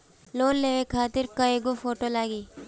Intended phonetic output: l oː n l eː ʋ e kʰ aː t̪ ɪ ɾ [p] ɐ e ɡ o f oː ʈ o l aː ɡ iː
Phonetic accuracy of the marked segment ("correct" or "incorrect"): incorrect